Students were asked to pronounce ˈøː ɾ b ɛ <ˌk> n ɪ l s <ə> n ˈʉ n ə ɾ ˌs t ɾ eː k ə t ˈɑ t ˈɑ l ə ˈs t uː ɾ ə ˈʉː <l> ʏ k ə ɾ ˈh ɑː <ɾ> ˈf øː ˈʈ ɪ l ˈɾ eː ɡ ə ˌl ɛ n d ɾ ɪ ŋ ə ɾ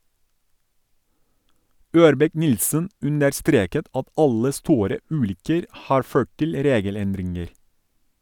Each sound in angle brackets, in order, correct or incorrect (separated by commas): correct, correct, correct, correct